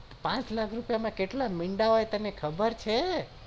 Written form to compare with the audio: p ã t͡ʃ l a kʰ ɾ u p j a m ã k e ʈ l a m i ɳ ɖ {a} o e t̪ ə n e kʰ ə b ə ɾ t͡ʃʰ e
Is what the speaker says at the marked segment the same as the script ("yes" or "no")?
yes